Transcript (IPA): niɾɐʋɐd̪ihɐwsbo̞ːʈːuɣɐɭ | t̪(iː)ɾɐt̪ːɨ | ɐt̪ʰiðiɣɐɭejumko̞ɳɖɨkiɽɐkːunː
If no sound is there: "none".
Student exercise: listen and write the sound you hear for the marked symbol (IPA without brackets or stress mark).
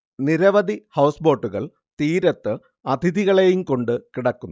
iː